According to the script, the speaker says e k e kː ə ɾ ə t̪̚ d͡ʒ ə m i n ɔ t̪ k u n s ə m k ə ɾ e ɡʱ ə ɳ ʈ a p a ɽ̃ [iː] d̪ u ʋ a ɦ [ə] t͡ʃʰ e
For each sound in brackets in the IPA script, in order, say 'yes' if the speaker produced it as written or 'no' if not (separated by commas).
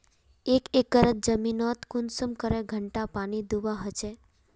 no, yes